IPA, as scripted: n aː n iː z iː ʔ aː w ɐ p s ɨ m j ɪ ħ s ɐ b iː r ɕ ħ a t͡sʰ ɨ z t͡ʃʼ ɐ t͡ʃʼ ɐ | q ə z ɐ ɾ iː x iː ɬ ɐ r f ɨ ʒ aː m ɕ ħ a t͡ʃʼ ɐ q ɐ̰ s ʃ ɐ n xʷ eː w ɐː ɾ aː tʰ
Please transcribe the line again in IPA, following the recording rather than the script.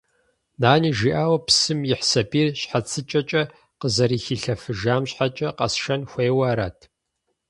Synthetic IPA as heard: n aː n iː ʒ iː ʔ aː w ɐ p s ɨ m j ɪ ħ s ɐ b iː r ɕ ħ a t͡sʰ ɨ t͡ʃʼ ɐ t͡ʃʼ ɐ | q ə z ɐ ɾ iː x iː ɬ ɐ f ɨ ʒ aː m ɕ ħ a t͡ʃʼ ɐ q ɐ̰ s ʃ ɐ n xʷ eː w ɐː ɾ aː tʰ